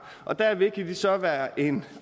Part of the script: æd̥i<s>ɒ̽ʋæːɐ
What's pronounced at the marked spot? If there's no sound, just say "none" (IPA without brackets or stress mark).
s